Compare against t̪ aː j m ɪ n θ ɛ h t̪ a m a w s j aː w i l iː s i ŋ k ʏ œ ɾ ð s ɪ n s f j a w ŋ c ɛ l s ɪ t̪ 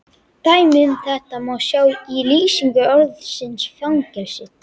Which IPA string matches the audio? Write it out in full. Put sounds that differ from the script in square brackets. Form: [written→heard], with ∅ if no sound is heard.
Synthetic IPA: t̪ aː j m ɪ n θ ɛ h t̪ a m a w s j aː w i l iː s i ŋ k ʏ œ ɾ ð s ɪ n s f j a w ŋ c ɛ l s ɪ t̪

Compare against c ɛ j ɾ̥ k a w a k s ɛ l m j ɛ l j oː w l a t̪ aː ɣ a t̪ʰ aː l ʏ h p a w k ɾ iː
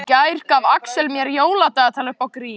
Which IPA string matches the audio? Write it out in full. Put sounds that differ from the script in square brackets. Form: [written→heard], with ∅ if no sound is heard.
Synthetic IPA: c [ɛ→a] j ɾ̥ k a [w→v] a k s ɛ l m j ɛ [l→ɾ] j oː w l a t̪ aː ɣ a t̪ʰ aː l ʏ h p a w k ɾ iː

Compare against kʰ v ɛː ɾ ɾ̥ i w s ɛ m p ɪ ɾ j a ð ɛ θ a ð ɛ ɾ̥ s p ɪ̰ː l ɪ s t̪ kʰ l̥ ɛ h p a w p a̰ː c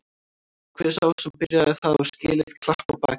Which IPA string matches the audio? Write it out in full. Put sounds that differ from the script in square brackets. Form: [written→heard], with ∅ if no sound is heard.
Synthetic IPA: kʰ v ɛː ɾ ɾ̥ [i→a] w s ɛ m p ɪ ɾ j a ð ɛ θ a ð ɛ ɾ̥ s [p→c] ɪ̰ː l ɪ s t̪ kʰ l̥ [ɛ→a] h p a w p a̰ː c

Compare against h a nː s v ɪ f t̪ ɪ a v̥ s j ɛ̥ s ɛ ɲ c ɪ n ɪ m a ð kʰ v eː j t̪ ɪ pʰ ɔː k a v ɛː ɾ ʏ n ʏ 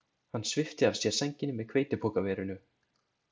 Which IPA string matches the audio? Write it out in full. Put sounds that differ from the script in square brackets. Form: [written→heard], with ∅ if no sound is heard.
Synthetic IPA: h a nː s v ɪ f t̪ ɪ a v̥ s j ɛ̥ s ɛ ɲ c ɪ n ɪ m [a→ɛ] ð kʰ v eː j t̪ ɪ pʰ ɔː k a v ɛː ɾ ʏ n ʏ

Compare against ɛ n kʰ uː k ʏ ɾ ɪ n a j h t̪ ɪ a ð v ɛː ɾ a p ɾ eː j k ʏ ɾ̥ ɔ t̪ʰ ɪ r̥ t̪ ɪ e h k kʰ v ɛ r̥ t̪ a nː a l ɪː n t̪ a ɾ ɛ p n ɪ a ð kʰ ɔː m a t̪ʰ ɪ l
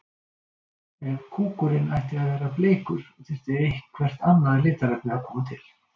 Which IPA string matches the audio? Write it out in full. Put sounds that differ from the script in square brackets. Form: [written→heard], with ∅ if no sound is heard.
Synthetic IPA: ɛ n kʰ uː k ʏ ɾ ɪ n a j h t̪ ɪ a ð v ɛː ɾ a p [ɾ→l] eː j k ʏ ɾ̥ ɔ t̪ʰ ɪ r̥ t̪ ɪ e h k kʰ v ɛ r̥ t̪ a nː a l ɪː [n→∅] t̪ a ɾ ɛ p n ɪ a ð kʰ ɔː m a t̪ʰ ɪ l

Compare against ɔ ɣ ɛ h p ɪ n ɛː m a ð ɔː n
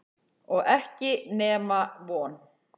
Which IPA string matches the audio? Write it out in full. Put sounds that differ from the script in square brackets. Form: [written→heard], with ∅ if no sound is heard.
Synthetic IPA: ɔ ɣ ɛ h [p→c] ɪ n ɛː m a [ð→v] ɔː n

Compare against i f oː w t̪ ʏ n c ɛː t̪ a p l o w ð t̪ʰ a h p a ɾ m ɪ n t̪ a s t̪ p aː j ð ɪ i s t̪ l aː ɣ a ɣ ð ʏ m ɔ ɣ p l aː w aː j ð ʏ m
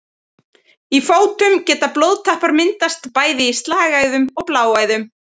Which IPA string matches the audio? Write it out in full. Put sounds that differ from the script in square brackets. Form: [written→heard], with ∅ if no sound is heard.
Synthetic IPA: i f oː w t̪ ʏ [n→m] c ɛː t̪ a p l o w ð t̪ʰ a h p a ɾ m ɪ n t̪ a s t̪ p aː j ð ɪ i s t̪ l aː ɣ a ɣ ð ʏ m ɔ ɣ p l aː w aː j ð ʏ m

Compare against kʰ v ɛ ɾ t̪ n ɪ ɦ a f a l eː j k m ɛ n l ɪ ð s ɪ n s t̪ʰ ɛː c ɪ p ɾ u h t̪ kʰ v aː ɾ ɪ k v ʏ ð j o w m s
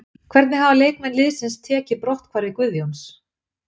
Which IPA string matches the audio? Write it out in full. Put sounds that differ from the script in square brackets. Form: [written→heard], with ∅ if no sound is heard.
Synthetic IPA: kʰ v ɛ ɾ t̪ n ɪ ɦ a [f→v] a l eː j k m ɛ n l ɪ ð s ɪ n s t̪ʰ ɛː c ɪ p ɾ [u→ɔ] h t̪ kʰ v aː ɾ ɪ k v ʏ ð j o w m s

